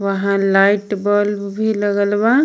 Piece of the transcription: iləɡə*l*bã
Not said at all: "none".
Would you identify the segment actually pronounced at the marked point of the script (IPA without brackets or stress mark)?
l